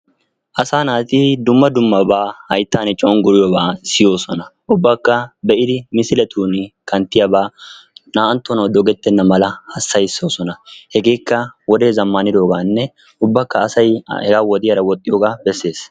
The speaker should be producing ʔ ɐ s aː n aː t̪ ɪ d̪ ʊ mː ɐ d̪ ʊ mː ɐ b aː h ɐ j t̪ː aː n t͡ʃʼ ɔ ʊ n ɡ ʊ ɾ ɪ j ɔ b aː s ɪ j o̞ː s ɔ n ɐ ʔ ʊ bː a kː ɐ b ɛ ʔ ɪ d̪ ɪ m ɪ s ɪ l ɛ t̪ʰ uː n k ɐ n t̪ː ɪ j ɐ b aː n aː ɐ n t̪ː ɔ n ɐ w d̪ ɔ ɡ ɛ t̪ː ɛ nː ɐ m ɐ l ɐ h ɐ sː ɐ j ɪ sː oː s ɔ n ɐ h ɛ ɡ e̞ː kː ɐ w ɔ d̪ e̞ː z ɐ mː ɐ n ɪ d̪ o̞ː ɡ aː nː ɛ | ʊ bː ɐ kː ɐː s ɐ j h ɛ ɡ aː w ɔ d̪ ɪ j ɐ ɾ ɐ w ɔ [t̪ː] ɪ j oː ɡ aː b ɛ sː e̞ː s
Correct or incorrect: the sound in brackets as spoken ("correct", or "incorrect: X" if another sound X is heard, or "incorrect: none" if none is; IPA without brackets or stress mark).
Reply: incorrect: t̪ʼː